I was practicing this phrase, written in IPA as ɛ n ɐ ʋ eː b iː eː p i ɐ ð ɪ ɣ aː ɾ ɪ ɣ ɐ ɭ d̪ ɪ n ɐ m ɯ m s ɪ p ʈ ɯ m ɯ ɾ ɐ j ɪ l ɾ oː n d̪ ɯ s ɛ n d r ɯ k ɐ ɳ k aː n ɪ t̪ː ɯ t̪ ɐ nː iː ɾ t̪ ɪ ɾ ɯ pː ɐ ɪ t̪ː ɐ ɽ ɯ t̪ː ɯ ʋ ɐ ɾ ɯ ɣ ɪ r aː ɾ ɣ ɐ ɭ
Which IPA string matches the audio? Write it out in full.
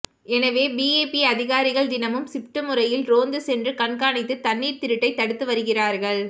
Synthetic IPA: ɛ n ɐ ʋ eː b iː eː p i ɐ ð ɪ ɣ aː ɾ ɪ ɣ ɐ ɭ d̪ ɪ n ɐ m ɯ m s ɪ p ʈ ɯ m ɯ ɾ ɐ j ɪ l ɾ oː n d̪ ɯ s ɛ n d r ɯ k ɐ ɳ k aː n ɪ t̪ː ɯ t̪ ɐ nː iː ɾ t̪ ɪ ɾ ɯ ʈː ɐ ɪ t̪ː ɐ ɽ ɯ t̪ː ɯ ʋ ɐ ɾ ɯ ɣ ɪ r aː ɾ ɣ ɐ ɭ